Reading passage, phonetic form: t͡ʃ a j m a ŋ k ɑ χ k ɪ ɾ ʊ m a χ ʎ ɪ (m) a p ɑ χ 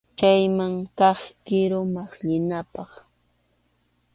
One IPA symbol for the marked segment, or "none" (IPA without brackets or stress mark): n